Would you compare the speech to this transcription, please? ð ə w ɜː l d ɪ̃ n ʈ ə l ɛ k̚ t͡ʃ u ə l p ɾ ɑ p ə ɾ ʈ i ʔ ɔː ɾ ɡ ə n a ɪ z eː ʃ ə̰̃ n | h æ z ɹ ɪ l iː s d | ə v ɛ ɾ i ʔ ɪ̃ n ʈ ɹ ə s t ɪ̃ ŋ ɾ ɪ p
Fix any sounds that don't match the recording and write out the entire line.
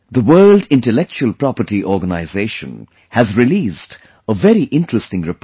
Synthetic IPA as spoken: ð ə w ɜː l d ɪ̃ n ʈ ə l ɛ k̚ t͡ʃ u ə l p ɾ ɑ p ə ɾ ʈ i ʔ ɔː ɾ ɡ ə n a ɪ z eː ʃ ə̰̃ n | h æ z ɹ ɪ l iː s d | ə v ɛ ɾ i ʔ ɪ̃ n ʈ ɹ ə s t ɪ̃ ŋ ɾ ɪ p